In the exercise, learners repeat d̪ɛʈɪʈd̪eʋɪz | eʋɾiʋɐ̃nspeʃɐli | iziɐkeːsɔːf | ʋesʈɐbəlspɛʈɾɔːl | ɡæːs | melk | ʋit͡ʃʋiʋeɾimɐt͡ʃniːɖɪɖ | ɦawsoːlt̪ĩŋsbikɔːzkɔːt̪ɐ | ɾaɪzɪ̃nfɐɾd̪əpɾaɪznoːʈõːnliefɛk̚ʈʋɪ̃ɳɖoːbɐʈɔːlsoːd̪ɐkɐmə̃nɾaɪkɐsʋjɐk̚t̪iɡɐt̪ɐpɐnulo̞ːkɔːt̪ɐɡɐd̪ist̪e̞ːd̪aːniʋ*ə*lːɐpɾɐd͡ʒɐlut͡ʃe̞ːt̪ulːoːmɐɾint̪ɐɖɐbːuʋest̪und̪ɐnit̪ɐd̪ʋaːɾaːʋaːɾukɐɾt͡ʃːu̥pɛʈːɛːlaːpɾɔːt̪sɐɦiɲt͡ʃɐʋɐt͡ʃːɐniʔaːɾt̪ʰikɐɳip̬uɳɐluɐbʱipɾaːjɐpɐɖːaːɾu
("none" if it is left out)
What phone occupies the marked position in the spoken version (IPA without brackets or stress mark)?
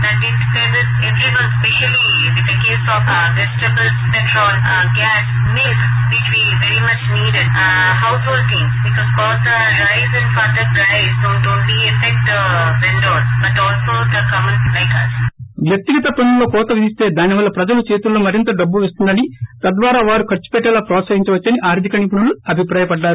ɐ